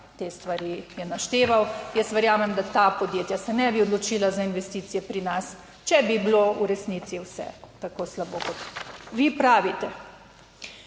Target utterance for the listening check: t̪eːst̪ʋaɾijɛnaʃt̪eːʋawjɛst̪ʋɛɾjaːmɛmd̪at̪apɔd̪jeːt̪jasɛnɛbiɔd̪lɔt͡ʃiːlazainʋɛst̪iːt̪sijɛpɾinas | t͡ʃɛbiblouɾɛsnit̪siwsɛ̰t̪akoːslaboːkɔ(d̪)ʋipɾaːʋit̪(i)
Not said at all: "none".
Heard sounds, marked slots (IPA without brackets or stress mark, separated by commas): t̪, ɛ